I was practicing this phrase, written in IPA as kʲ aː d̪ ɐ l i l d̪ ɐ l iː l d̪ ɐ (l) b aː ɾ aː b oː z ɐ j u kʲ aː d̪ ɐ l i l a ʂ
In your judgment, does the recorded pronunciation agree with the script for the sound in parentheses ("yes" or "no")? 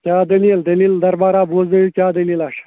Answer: no